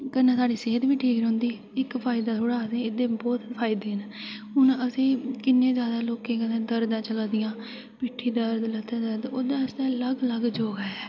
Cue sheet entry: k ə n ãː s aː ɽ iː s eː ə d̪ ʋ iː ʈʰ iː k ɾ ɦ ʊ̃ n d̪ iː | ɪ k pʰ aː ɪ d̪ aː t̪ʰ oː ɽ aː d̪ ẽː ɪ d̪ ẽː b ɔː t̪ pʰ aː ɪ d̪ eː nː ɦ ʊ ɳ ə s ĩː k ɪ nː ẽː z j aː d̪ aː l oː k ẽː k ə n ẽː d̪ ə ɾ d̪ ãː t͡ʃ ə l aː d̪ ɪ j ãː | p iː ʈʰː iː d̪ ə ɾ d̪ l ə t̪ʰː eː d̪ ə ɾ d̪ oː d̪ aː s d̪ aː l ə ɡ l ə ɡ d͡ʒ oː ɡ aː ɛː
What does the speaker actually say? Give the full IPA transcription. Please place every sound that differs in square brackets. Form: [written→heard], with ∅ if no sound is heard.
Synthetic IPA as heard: k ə n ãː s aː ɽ iː s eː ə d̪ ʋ iː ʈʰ iː k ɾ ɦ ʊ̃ n d̪ iː | ɪ k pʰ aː ɪ d̪ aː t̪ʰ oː ɽ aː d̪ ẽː ɪ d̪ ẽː b ɔː t̪ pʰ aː ɪ d̪ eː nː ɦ ʊ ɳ ə s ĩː k ɪ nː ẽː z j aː d̪ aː l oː k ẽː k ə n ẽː d̪ ə ɾ d̪ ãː t͡ʃ ə l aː d̪ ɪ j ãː | p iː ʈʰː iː d̪ ə ɾ d̪ l ə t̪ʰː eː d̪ ə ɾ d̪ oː d̪ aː s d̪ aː l ə ɡ l ə ɡ d͡ʒ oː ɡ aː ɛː